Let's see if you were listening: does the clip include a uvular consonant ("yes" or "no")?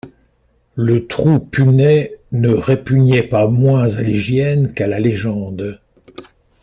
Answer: yes